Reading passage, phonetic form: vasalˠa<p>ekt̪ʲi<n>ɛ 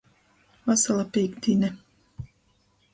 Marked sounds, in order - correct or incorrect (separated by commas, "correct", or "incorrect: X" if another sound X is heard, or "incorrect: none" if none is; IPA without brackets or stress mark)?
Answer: correct, correct